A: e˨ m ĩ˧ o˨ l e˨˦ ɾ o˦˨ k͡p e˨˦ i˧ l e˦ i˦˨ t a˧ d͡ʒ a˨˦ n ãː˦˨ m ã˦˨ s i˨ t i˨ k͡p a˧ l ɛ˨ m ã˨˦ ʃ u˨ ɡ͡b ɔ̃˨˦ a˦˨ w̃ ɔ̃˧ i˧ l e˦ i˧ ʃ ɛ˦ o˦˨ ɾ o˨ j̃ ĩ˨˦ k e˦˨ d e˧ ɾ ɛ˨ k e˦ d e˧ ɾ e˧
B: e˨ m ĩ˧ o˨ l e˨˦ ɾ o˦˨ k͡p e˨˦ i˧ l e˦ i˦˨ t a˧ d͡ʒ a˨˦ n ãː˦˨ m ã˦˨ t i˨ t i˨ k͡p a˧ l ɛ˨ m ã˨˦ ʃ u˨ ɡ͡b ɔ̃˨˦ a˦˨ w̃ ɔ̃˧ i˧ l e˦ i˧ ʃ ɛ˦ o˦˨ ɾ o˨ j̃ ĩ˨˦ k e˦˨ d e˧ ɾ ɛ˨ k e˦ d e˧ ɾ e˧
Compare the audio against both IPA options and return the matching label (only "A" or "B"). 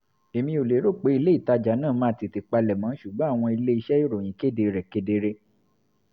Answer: B